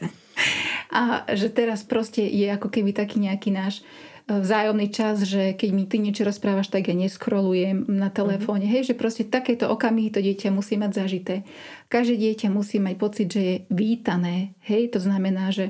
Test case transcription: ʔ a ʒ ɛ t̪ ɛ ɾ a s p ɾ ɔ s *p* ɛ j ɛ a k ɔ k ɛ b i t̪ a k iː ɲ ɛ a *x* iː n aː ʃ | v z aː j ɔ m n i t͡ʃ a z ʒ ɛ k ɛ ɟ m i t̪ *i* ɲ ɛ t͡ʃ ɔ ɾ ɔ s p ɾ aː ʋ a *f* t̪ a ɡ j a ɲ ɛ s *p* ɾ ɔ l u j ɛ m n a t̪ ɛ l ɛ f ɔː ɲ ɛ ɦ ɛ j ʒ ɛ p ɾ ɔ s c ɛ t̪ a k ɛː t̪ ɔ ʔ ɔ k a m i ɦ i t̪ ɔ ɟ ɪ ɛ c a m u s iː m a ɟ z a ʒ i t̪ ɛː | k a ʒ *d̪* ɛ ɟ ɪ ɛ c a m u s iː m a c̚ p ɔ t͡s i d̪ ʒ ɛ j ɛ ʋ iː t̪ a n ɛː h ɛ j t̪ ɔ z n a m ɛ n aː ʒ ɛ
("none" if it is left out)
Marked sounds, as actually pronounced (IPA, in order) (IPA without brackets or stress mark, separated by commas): c, k, i, ʃ, k, d̪